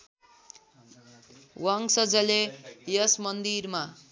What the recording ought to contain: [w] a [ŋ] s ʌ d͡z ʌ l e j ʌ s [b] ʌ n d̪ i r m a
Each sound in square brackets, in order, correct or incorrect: correct, correct, incorrect: m

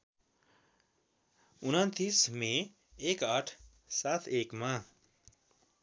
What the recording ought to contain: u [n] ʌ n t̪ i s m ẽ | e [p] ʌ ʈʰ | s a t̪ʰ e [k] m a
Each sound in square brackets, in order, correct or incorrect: correct, incorrect: k, correct

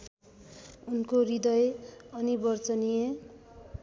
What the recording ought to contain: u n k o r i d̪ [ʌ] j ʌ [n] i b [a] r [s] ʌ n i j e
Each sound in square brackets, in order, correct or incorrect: correct, correct, incorrect: ʌ, incorrect: t͡s

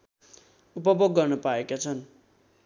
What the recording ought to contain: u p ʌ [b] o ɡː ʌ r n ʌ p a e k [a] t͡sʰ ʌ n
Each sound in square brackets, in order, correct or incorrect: correct, correct

